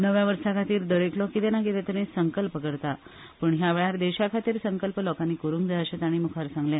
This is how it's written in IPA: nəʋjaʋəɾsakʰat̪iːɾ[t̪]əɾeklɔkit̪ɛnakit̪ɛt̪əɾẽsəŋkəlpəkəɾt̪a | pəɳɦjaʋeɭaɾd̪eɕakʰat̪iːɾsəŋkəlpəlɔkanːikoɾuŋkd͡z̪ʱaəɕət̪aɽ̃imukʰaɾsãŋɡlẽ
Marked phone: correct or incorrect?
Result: incorrect